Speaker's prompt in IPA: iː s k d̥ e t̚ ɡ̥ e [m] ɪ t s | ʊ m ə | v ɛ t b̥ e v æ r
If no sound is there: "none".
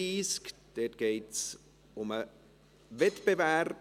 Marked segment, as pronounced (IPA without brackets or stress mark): none